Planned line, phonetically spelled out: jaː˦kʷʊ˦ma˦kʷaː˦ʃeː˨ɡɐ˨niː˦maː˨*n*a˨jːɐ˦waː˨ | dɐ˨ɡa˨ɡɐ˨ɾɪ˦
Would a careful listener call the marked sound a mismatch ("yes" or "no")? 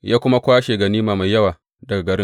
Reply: yes